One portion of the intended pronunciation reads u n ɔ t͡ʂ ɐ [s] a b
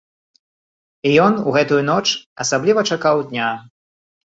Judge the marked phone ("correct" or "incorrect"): correct